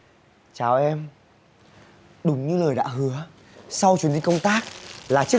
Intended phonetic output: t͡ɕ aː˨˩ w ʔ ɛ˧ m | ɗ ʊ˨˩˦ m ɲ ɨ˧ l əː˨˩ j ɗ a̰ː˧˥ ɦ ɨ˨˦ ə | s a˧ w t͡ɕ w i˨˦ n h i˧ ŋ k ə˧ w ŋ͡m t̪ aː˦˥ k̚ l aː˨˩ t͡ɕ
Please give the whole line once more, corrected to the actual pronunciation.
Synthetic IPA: t͡ɕ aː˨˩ w ʔ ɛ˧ m | ɗ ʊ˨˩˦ ŋ͡m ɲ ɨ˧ l əː˨˩ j ɗ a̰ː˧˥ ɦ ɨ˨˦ ə | s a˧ w t͡ɕ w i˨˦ n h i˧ ŋ k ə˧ w ŋ͡m t̪ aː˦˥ k̚ l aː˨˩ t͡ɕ